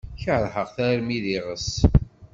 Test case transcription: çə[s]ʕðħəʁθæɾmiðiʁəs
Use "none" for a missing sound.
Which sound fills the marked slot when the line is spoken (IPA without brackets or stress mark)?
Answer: none